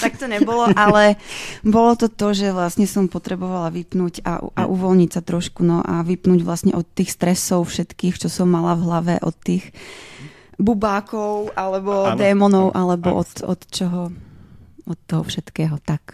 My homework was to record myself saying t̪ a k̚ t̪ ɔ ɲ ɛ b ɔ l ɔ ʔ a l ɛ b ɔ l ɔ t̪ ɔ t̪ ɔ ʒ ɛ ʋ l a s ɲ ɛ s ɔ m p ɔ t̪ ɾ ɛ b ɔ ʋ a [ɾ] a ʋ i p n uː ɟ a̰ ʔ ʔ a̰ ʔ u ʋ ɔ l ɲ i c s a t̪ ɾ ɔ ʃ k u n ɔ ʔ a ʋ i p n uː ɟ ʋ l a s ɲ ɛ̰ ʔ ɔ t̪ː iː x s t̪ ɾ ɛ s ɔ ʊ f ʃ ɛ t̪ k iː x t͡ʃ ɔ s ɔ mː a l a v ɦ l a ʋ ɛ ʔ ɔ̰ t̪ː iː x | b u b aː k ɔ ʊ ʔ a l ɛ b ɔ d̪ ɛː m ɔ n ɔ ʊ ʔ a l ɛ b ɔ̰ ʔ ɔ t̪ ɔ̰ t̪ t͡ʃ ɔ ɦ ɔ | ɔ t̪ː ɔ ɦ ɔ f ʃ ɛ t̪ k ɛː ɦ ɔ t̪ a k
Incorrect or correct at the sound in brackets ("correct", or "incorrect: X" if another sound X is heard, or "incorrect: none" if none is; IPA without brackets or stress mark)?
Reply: incorrect: l